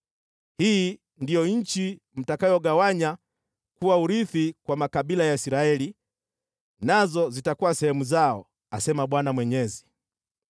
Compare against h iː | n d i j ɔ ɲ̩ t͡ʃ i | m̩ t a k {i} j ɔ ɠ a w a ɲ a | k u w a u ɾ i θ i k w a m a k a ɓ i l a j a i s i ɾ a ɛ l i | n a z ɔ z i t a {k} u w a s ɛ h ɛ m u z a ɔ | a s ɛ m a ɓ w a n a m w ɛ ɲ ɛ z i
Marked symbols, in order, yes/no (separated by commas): no, yes